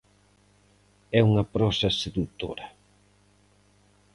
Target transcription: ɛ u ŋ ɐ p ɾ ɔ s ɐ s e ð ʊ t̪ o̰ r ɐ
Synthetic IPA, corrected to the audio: ɛ u ŋ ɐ p ɾ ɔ s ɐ s e ð u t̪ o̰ ɾ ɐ